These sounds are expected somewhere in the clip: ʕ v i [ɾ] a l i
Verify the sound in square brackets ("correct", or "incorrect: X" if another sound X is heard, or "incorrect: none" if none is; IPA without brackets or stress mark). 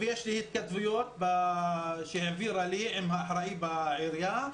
correct